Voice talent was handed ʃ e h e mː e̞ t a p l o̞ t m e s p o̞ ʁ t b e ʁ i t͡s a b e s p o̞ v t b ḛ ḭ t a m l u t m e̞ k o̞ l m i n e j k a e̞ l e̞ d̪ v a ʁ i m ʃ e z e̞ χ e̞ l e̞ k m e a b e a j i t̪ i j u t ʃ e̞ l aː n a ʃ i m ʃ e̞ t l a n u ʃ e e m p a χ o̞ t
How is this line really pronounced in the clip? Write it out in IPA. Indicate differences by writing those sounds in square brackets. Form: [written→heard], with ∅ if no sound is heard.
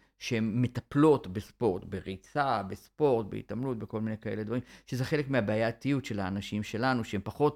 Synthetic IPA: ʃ e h e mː e̞ t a p l o̞ t [m→b] e s p o̞ ʁ t b e ʁ i t͡s a b e s p o̞ [v→ʁ] t b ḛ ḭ t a m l u t [m→b] e̞ k o̞ l m i n e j k a e̞ l e̞ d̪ v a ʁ i m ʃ e z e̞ χ e̞ l e̞ k m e a b e a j [i→a] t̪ i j u t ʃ e̞ l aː n a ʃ i m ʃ e̞ [t→∅] l a n u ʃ e e m p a χ o̞ t